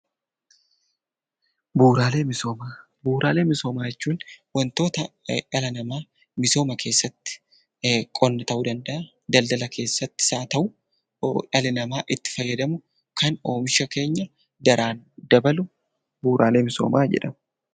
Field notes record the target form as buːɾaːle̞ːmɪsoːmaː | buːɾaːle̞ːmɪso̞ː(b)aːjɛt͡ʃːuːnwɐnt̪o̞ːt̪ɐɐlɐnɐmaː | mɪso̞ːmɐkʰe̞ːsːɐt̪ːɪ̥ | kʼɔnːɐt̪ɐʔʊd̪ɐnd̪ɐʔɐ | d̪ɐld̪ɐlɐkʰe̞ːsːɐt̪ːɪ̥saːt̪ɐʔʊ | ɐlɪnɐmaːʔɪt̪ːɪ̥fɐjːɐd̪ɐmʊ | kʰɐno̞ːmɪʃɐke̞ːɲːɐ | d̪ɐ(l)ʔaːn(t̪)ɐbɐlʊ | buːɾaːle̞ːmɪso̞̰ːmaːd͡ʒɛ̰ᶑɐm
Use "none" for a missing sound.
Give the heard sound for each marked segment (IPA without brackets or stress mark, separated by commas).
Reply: m, ɾ, d̪